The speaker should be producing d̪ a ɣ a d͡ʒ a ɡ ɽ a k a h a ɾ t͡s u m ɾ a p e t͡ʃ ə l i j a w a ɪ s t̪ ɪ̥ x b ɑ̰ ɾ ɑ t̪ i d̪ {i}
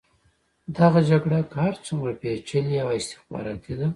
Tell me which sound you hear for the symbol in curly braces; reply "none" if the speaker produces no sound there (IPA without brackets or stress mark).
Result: a